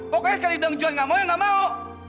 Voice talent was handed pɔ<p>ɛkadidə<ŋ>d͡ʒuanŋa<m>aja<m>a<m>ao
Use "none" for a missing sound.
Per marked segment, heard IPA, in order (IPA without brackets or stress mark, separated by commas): k, ŋ, m, ŋ, m